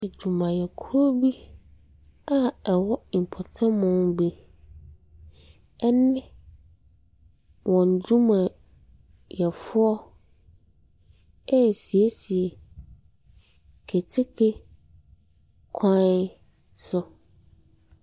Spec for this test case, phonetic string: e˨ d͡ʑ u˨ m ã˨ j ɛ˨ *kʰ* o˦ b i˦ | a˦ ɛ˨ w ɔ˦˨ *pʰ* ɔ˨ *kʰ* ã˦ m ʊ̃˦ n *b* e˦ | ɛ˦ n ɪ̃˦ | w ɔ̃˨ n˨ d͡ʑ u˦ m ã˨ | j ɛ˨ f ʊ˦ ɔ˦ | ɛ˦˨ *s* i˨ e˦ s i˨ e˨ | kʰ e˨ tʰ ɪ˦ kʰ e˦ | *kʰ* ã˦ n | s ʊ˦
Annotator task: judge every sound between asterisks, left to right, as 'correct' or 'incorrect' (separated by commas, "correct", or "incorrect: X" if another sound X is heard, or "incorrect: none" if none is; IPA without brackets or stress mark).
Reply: correct, correct, incorrect: tʰ, correct, correct, correct